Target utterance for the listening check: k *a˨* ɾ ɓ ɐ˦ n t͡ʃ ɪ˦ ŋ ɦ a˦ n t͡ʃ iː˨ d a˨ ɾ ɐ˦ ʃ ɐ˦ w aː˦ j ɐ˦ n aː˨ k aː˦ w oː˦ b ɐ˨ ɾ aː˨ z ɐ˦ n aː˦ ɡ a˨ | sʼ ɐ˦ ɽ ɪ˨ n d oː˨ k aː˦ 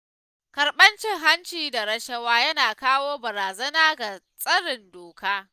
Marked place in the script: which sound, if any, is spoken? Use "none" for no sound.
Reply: ɐ˨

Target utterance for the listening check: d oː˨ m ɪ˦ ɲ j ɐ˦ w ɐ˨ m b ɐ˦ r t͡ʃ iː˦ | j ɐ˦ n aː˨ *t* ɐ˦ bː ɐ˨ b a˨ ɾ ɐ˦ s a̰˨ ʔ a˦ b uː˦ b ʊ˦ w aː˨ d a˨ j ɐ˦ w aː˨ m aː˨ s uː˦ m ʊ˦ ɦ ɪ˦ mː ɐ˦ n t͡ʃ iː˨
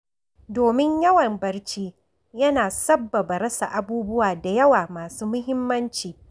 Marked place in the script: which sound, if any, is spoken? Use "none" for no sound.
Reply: s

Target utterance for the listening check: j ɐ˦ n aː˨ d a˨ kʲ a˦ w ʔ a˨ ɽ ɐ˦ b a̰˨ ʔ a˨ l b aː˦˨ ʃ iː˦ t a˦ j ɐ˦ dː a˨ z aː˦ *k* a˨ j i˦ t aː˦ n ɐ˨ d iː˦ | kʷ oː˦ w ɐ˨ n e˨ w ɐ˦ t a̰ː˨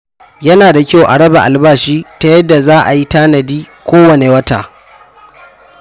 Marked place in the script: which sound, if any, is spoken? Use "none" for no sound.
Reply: ʔ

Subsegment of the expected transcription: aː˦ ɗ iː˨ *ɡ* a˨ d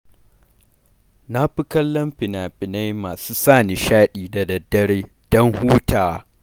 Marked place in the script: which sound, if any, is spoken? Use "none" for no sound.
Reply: d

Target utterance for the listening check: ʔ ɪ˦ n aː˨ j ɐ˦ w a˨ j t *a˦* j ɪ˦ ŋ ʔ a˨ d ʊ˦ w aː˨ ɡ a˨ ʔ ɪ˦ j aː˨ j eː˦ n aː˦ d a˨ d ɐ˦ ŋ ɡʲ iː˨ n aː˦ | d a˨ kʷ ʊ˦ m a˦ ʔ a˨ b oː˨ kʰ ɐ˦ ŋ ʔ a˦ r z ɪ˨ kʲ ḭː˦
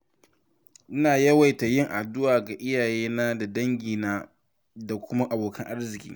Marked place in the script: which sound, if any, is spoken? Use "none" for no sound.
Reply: a˨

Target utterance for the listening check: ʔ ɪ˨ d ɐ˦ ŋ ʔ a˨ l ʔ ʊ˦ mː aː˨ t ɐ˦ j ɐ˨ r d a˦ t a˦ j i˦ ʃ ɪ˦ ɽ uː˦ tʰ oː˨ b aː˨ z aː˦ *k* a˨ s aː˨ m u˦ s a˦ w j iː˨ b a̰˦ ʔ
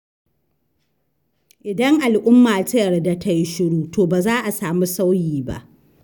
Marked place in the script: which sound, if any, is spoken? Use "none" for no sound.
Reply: ʔ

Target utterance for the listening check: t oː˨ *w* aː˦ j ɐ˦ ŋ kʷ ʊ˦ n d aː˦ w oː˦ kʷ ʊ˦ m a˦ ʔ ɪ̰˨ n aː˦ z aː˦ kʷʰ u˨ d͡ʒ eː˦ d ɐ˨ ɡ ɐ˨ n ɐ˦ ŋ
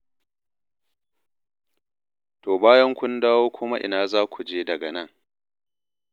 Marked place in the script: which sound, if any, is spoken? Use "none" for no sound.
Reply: b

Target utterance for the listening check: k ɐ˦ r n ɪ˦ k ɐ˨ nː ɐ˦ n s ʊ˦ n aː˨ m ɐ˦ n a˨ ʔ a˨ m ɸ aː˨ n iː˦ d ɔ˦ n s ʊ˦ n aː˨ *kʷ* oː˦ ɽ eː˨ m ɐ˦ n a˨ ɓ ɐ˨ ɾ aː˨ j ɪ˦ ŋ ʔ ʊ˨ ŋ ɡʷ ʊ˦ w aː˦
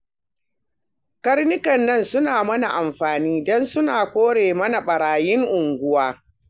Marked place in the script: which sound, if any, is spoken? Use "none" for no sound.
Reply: kʷ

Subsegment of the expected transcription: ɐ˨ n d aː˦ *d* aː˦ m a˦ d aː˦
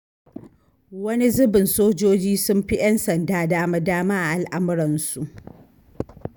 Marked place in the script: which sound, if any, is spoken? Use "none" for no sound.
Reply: d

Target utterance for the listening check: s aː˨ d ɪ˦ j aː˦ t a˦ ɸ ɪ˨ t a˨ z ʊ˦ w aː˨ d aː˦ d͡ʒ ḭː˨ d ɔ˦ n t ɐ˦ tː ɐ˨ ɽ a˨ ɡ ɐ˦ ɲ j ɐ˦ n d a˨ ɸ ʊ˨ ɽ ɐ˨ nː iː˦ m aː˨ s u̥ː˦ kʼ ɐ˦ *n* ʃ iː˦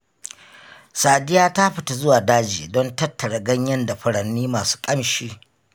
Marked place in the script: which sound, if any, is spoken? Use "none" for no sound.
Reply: m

